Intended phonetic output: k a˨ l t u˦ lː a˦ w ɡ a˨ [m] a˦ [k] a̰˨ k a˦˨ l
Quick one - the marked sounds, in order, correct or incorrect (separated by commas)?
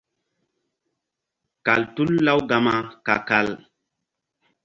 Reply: correct, correct